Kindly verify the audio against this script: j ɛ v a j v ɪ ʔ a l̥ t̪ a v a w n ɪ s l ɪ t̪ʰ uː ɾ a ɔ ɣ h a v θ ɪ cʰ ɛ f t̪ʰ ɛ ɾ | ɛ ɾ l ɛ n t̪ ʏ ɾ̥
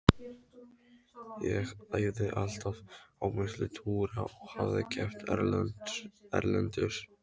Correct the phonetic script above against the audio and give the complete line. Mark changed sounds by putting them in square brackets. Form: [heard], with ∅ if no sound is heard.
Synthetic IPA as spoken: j ɛ [ɣ] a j [ð] ɪ ʔ a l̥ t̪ a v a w [m] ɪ s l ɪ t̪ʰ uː ɾ a ɔ ɣ h a v [ð] ɪ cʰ ɛ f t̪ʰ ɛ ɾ | ɛ ɾ l ɛ n t̪ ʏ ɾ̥